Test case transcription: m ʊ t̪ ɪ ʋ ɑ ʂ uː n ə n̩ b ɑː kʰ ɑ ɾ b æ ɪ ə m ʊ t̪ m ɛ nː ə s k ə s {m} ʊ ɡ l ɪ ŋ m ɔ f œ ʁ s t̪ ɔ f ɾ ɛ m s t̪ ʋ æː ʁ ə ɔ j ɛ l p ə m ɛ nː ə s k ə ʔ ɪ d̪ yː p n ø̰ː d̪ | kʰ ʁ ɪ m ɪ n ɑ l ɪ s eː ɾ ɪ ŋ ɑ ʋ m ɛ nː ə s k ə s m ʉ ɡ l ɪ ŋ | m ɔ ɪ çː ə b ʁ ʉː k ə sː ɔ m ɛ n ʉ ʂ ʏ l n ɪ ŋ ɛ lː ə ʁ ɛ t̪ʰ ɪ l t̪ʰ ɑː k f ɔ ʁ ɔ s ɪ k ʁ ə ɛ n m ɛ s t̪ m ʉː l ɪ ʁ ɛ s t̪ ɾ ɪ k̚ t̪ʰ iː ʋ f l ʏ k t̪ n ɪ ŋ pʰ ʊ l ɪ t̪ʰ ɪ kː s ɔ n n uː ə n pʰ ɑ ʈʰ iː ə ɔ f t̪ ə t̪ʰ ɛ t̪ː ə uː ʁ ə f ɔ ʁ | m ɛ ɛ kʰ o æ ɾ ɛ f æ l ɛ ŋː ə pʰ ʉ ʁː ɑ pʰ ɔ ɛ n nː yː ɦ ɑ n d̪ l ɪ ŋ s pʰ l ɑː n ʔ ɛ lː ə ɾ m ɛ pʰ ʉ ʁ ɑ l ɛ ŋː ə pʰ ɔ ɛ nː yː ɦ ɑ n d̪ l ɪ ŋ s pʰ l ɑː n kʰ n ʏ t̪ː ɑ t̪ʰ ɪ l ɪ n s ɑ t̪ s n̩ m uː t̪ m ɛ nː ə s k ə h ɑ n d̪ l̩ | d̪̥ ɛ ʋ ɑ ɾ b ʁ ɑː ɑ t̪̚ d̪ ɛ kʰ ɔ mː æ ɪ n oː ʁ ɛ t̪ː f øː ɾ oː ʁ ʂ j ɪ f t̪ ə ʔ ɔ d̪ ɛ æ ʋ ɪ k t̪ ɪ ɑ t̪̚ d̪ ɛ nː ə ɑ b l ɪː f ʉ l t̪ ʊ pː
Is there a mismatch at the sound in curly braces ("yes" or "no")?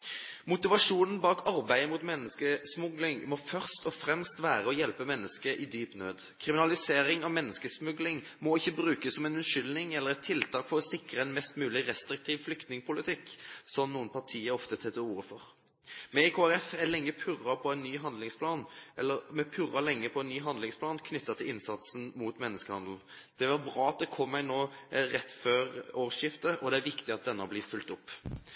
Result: no